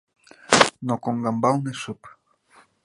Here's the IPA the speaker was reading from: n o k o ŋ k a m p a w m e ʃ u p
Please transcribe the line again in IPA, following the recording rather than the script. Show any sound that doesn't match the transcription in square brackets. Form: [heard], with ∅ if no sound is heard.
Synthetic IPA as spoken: n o k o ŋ [ɡ] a m [b] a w [n] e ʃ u p